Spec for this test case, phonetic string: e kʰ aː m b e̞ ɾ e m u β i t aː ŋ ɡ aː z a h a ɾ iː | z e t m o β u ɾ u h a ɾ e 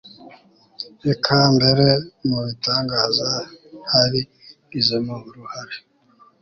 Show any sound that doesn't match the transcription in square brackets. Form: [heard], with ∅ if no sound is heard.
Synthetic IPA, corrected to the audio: e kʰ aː m b e̞ ɾ e m u β i t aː ŋ ɡ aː z a h a ɾ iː | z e [∅] m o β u ɾ u h a ɾ e